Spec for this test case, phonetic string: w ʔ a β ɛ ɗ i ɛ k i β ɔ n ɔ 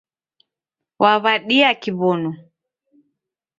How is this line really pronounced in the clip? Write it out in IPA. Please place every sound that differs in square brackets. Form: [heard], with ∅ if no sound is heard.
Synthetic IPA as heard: w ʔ a β [a] ɗ i [a] k i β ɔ n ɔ